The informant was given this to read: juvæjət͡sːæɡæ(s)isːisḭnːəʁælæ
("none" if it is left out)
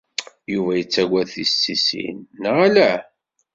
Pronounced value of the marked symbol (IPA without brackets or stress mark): θ